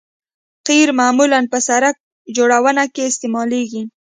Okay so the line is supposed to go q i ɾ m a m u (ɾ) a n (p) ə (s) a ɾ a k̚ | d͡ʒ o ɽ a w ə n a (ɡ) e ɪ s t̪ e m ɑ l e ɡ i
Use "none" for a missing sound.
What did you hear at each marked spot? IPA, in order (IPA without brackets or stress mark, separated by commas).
l, p, s, k